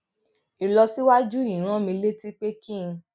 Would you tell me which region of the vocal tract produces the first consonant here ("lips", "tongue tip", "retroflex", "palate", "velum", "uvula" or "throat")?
tongue tip